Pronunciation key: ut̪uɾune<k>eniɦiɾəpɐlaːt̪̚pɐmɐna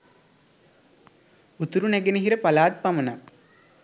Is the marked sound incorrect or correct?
incorrect: ɡ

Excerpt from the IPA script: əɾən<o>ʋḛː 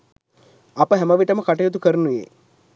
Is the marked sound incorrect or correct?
incorrect: u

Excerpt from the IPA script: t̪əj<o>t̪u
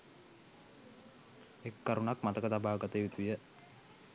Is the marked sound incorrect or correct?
incorrect: u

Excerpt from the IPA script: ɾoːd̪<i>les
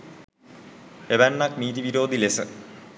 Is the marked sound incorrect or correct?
correct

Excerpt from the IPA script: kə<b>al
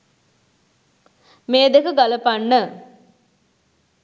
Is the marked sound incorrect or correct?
incorrect: ɡ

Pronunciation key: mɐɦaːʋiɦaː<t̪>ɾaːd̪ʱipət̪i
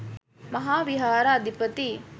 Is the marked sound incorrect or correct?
incorrect: none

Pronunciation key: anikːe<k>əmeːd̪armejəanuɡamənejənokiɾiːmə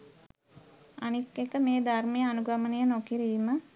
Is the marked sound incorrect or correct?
correct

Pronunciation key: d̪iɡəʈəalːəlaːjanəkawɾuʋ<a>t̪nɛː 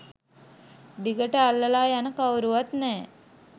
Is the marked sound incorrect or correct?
correct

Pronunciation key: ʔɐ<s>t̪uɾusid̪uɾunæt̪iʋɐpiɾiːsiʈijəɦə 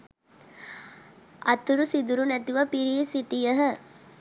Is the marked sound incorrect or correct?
incorrect: none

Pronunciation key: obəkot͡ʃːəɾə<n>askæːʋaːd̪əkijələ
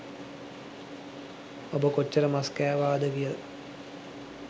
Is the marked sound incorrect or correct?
incorrect: m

